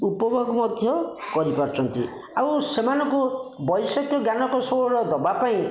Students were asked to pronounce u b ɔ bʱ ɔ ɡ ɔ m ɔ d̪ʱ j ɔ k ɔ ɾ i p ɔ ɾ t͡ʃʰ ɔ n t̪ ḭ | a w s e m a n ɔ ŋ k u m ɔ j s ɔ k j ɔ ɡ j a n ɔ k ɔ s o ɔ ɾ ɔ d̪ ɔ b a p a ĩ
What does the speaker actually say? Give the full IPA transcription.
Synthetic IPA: u p ɔ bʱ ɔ ɡ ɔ m ɔ d̪ʱ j ɔ k ɔ ɾ i p ɔ ɾ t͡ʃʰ ɔ n t̪ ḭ | a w s e m a n ɔ ŋ k u b ɔ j s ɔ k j ɔ ɡ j a n ɔ k ɔ s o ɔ ɾ ɔ d̪ ɔ b a p a ĩ